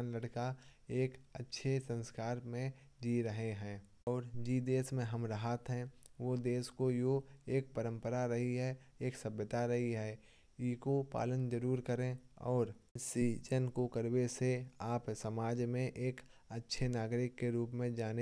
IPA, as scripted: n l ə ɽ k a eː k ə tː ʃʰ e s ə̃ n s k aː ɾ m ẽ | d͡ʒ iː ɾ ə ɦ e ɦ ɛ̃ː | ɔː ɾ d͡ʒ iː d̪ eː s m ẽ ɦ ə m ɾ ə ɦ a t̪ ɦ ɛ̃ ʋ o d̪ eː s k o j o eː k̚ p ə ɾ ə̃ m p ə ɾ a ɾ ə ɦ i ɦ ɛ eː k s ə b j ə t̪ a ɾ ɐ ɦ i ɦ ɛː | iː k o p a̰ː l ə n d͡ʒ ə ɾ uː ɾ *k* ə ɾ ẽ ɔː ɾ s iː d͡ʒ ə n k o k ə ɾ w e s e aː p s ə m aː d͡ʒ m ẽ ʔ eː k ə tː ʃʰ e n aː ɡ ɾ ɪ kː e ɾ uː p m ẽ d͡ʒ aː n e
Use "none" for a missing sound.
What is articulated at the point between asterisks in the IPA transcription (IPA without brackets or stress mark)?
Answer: k